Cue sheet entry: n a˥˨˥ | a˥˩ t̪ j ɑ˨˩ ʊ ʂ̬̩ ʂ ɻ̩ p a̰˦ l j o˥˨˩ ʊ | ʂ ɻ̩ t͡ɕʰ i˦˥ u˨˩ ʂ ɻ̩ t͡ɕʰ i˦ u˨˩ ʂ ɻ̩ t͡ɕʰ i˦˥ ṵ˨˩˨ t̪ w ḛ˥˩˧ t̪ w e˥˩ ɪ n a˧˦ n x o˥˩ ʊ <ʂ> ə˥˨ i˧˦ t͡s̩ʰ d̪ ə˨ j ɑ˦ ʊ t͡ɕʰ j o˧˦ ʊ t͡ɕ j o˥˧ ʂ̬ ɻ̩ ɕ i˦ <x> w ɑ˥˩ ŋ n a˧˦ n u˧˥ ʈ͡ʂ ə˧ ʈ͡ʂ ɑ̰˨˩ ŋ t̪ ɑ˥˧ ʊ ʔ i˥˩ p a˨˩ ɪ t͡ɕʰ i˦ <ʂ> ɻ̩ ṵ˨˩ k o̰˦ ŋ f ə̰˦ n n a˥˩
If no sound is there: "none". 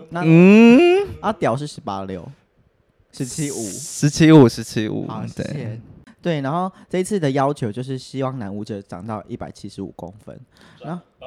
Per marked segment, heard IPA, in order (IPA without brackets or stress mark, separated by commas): ʈ͡ʂ, none, ʂ